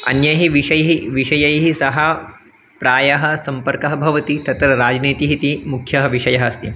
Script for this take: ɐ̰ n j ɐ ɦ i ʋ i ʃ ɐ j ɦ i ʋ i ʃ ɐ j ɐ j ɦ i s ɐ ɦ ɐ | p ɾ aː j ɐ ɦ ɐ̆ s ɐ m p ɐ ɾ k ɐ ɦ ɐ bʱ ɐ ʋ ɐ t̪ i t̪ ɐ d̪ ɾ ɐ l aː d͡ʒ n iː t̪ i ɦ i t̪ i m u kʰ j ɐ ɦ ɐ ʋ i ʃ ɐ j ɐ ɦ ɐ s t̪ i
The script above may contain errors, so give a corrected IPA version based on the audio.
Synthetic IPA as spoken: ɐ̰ n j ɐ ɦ i ʋ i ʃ ɐ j ɦ i ʋ i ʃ ɐ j ɐ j ɦ i s ɐ ɦ ɐ | p ɾ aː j ɐ ɦ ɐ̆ s ɐ m p ɐ ɾ k ɐ ɦ ɐ bʱ ɐ ʋ ɐ t̪ i t̪ ɐ t̪ ɾ ɐ ɾ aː d͡ʒ n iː t̪ i ɦ i t̪ i m u kʰ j ɐ ɦ ɐ ʋ i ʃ ɐ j ɐ ɦ ɐ s t̪ i